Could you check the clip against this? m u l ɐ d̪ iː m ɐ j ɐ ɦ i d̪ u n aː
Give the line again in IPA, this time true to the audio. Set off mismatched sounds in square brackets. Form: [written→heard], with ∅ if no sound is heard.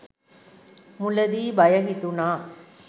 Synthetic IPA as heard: m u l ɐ d̪ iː [m→b] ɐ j ɐ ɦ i [d̪→t̪] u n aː